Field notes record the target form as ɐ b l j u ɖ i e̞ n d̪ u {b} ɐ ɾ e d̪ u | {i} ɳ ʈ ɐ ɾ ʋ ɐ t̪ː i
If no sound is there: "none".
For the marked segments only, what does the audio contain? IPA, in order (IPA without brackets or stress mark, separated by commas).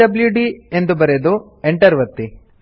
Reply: b, e